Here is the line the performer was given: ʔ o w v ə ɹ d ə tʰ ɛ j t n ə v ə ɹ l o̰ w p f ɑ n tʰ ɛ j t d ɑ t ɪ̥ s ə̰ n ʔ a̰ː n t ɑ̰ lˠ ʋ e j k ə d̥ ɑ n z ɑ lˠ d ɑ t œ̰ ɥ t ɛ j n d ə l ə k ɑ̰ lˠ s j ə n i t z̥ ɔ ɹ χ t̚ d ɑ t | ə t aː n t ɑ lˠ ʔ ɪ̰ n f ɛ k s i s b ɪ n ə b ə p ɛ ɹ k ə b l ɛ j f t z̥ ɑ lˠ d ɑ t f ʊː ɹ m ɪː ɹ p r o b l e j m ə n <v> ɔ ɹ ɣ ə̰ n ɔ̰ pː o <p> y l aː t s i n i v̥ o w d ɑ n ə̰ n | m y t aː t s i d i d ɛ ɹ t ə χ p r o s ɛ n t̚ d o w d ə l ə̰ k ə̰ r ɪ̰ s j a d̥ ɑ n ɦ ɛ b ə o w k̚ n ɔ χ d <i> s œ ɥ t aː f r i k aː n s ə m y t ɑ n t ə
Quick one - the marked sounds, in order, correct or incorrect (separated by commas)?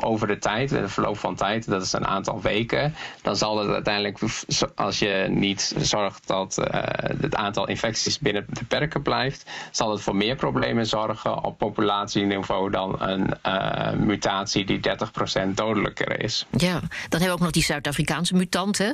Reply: incorrect, correct, correct